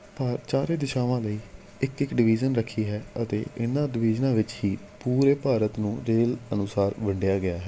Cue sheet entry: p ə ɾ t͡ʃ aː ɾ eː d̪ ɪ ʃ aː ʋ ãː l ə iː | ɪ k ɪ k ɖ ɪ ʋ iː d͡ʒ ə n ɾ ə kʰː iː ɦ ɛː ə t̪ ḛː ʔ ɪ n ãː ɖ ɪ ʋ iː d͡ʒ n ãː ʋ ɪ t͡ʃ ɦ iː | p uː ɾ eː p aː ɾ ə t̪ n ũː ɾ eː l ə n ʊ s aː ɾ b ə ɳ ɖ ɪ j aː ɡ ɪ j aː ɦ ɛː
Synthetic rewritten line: p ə ɾ t͡ʃ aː ɾ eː d̪ ɪ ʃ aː ʋ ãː l ə iː | ɪ k ɪ k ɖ ɪ ʋ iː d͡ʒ ə n ɾ ə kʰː iː ɦ ɛː ə t̪ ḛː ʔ ɪ n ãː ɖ ɪ ʋ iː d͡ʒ n ãː ʋ ɪ t͡ʃ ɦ iː | p uː ɾ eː p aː ɾ ə t̪ n ũː ɾ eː l ə n ʊ s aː ɾ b ə ɳ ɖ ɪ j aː ɡ ɪ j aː ɦ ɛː